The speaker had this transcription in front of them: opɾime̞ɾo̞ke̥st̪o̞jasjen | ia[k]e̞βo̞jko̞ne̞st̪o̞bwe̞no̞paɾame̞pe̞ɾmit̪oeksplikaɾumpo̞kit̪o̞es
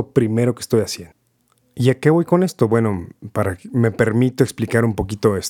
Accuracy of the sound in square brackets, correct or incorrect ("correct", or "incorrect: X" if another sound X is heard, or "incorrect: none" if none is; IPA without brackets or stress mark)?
correct